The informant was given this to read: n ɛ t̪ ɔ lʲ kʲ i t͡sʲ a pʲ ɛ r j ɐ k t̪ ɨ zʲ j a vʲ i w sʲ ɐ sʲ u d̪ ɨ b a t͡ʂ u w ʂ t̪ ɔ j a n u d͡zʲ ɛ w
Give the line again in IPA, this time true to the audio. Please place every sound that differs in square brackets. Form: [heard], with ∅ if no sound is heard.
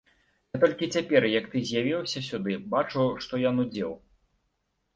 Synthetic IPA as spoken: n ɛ t̪ ɔ lʲ kʲ i t͡sʲ a pʲ ɛ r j ɐ k t̪ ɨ zʲ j a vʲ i w sʲ ɐ sʲ u d̪ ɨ b a t͡ʂ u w ʂ t̪ ɔ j a n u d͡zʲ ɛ w